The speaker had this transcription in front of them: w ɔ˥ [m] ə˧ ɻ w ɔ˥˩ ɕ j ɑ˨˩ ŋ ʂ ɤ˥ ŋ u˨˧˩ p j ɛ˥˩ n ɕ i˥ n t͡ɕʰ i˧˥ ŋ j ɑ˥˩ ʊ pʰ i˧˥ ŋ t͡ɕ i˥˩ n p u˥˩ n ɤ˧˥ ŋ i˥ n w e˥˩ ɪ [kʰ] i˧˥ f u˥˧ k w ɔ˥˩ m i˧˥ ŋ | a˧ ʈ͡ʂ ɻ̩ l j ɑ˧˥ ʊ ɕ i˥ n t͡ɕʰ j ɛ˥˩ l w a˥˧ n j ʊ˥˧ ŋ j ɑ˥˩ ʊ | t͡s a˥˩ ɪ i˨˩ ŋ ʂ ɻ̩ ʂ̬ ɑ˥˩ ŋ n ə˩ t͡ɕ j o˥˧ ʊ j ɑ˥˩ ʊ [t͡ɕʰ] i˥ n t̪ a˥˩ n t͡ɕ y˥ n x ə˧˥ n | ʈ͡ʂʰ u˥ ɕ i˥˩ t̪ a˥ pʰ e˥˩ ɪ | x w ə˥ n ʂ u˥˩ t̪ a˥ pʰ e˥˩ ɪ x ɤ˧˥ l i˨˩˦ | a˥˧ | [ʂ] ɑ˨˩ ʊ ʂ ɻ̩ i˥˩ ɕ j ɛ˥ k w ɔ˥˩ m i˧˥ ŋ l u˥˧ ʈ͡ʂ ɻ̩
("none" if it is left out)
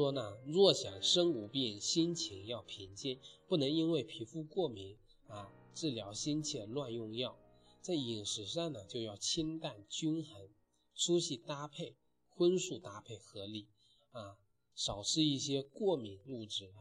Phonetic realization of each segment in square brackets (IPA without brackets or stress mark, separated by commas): n, pʰ, t͡ɕʰ, ʂ